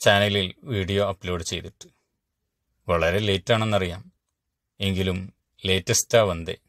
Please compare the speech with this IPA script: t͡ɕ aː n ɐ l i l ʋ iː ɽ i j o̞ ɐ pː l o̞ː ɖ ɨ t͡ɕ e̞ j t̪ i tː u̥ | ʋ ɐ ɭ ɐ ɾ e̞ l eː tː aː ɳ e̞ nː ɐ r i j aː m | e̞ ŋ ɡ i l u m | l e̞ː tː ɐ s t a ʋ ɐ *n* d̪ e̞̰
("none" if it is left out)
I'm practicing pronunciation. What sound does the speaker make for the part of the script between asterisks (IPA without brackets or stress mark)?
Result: n